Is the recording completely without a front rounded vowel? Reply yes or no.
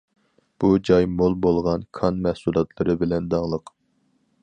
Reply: yes